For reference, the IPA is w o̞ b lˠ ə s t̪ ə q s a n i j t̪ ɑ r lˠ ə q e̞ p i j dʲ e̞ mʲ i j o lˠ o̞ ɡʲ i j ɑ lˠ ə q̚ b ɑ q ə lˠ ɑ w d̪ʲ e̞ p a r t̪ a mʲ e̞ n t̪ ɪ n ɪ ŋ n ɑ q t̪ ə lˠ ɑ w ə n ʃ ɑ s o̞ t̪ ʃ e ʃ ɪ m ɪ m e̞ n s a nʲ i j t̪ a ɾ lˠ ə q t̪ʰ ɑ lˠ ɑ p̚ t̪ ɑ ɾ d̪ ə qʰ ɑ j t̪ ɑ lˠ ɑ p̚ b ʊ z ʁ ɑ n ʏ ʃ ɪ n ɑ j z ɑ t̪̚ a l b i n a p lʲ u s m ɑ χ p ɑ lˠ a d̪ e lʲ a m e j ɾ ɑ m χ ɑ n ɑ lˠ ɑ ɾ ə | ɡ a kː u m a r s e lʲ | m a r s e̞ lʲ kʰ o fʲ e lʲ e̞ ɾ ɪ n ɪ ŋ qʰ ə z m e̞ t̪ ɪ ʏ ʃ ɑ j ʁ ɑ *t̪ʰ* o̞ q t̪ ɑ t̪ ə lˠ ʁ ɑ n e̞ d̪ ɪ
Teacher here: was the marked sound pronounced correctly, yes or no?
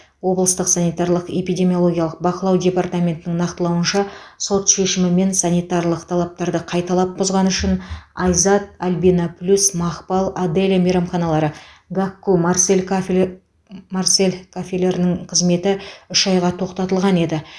yes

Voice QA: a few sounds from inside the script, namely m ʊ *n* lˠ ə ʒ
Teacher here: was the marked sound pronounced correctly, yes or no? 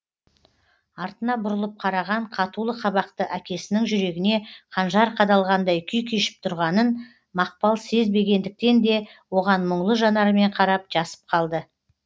no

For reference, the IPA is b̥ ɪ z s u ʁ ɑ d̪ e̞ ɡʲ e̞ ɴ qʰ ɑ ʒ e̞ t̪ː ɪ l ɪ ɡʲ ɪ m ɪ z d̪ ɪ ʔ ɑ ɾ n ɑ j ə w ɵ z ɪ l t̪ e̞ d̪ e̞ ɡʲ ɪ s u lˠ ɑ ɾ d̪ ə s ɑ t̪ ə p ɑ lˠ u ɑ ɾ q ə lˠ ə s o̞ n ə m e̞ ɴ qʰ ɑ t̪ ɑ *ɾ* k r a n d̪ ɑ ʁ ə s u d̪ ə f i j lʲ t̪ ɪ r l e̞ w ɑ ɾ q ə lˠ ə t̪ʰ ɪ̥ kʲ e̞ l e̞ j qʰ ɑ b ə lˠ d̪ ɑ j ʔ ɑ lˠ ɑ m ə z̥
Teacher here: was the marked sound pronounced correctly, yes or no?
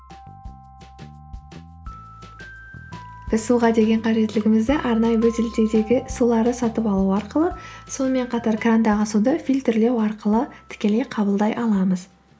yes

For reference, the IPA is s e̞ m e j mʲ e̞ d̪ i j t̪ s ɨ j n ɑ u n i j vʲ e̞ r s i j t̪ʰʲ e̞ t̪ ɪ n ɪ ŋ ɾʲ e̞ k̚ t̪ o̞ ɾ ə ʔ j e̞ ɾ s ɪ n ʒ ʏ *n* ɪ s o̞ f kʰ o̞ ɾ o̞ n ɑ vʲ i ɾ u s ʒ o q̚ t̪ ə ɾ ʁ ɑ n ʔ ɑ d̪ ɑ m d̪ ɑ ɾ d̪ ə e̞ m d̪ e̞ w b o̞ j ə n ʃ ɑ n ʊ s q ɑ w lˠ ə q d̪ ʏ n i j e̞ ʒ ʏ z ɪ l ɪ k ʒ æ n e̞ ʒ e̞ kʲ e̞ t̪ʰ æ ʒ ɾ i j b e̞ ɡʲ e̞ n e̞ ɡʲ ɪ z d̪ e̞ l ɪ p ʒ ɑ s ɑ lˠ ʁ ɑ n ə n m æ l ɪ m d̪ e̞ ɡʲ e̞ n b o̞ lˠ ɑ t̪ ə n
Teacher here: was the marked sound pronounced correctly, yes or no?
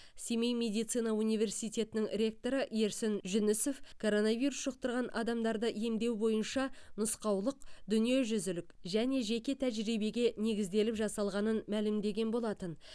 yes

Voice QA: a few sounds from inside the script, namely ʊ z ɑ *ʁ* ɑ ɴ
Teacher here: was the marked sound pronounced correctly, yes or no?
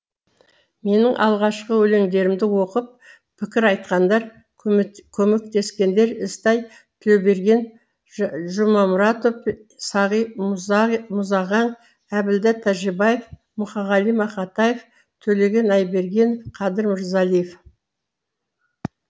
yes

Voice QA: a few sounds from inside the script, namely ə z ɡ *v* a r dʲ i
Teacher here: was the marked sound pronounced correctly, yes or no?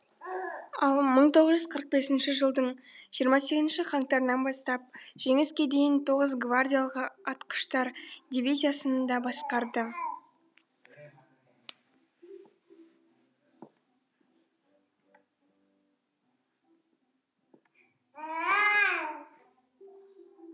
yes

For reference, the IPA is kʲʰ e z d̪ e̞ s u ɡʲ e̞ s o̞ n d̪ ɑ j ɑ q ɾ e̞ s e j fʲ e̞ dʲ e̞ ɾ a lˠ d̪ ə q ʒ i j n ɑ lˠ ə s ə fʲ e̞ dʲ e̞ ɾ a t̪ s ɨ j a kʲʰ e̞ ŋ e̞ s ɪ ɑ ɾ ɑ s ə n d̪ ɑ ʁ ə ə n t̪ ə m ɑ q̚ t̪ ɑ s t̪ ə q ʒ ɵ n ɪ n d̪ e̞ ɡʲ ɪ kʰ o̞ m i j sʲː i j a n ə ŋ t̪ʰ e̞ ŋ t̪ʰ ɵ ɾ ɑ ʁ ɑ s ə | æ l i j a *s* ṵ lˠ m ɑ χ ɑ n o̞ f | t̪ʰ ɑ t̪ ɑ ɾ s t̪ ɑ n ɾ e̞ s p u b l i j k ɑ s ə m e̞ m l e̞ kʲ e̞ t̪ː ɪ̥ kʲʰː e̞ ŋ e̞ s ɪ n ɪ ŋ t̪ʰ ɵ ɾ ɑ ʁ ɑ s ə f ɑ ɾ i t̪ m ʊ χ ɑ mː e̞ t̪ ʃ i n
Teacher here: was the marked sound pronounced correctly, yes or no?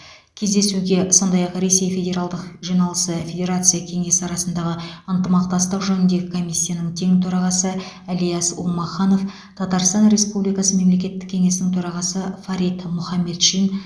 yes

